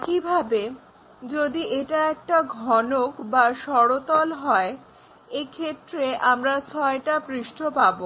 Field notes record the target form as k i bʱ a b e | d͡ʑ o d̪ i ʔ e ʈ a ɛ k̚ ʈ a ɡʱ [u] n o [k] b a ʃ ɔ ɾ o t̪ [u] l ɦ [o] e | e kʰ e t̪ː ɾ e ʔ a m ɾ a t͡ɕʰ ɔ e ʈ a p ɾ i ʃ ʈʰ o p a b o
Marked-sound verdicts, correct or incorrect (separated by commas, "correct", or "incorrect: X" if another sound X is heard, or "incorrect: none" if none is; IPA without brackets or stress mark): incorrect: ɔ, correct, incorrect: ɔ, incorrect: ɔ